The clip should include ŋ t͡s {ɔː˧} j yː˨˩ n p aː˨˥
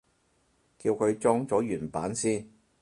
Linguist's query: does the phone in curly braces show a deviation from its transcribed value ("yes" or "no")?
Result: yes